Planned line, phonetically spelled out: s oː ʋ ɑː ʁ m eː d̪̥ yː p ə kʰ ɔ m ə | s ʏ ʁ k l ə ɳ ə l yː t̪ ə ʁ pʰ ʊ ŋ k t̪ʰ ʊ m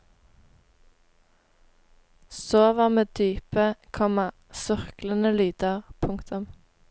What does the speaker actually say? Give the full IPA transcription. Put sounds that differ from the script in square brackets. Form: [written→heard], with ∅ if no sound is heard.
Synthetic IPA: s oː ʋ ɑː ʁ m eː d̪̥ yː p ə kʰ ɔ m [ə→ɑ] | s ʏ ʁ k l ə [ɳ→n] ə l yː [t̪→d̪] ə ʁ pʰ ʊ ŋ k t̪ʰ ʊ m